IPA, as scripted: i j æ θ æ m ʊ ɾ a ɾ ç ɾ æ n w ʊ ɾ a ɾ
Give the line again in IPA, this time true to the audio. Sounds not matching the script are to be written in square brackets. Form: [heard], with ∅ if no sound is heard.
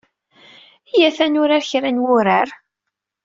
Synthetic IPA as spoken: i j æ θ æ [n] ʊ ɾ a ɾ ç ɾ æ n w ʊ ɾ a ɾ

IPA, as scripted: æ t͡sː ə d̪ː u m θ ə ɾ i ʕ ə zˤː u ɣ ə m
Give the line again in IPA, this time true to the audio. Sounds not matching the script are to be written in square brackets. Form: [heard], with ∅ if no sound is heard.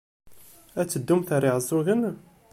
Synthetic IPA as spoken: æ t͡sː ə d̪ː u m θ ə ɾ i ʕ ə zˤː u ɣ ə [n]

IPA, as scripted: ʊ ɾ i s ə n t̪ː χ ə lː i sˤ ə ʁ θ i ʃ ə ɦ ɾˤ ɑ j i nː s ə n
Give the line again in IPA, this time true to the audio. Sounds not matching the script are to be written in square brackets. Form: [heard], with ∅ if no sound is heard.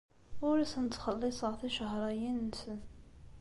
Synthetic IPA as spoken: ʊ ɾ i s ə n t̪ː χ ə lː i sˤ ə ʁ θ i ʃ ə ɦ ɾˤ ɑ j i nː s ə n

